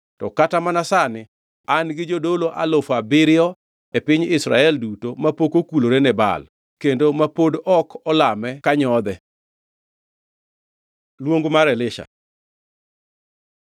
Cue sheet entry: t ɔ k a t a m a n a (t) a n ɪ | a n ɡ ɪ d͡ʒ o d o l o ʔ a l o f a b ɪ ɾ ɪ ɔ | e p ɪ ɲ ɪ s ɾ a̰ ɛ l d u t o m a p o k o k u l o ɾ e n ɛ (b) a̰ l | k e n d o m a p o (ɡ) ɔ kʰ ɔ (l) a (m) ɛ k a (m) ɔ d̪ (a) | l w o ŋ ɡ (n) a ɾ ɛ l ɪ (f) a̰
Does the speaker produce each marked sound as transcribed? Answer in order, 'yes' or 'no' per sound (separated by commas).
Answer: no, yes, no, yes, yes, no, no, no, no